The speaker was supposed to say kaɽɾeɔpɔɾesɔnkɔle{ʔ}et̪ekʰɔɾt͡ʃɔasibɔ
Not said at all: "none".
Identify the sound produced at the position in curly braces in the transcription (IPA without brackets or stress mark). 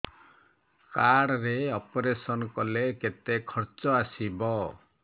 k